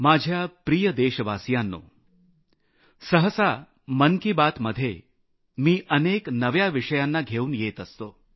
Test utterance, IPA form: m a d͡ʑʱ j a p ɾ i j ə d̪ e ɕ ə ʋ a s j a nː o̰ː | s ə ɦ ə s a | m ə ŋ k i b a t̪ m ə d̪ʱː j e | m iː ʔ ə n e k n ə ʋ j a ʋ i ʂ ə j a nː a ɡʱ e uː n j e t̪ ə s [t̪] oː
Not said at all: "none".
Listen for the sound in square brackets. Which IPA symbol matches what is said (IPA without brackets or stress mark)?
t̪